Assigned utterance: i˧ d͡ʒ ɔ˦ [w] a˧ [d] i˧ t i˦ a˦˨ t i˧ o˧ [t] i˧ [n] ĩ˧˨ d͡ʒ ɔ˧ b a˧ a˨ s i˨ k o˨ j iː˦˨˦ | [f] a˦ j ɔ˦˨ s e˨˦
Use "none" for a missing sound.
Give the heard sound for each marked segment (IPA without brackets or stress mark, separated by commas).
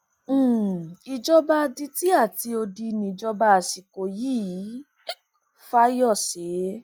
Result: b, d, d, n, f